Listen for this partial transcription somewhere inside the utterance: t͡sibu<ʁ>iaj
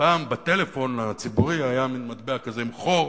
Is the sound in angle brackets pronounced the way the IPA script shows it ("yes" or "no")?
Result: yes